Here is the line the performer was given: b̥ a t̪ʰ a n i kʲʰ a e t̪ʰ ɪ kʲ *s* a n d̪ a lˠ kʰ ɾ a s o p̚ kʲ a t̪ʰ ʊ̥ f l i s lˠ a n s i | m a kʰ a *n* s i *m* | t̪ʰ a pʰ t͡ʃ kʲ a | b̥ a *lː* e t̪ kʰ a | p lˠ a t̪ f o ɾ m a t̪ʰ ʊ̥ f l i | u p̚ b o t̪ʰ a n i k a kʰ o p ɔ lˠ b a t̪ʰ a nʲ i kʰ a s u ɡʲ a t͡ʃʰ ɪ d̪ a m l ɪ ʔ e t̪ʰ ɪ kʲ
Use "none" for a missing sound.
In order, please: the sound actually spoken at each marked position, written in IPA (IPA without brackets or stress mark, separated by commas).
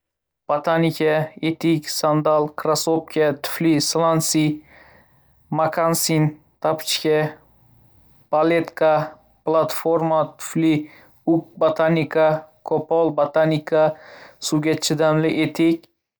s, n, n, l